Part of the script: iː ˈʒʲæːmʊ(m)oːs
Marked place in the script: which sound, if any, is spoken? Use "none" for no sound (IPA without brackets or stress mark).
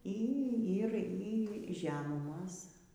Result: m